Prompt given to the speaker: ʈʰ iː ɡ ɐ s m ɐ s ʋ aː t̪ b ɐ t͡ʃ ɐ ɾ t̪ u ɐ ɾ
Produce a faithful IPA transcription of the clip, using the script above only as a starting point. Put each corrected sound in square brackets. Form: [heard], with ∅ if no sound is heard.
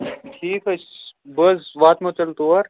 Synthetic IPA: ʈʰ iː [k] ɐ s [b] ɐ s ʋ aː t̪ [m] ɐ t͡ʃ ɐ [l] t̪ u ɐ ɾ